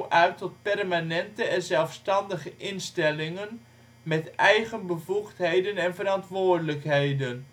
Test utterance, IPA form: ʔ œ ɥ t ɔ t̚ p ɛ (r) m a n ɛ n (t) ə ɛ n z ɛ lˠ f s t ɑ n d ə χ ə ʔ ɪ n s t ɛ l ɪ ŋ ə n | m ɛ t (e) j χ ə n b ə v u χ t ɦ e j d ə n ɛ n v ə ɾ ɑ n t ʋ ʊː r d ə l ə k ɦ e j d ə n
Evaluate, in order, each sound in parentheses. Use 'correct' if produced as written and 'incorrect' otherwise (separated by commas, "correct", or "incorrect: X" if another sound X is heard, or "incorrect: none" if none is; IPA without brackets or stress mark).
correct, correct, incorrect: ɛ